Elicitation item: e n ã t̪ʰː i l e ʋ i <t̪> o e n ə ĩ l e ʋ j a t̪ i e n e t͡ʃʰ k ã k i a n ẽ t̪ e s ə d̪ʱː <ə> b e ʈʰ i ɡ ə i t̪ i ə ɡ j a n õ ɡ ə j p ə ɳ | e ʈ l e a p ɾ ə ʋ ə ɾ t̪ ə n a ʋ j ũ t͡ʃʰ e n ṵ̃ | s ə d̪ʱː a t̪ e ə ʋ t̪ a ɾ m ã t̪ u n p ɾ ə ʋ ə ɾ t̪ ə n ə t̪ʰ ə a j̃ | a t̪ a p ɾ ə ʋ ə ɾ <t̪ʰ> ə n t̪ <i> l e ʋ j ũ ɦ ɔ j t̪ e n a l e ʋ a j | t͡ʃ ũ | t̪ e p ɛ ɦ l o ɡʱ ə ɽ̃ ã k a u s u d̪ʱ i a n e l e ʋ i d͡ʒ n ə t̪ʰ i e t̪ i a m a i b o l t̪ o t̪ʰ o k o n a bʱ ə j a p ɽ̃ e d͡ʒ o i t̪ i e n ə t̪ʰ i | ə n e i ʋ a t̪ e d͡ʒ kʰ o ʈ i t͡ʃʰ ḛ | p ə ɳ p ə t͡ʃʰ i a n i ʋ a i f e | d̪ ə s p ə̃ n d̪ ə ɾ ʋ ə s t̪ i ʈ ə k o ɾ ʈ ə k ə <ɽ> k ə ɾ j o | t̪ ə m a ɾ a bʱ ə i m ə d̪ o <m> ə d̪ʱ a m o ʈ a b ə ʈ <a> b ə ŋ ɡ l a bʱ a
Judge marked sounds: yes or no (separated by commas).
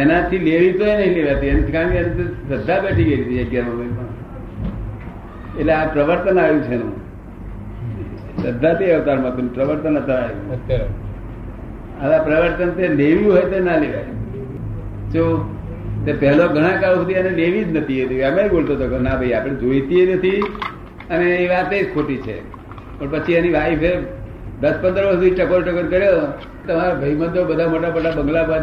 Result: yes, no, no, no, no, no, yes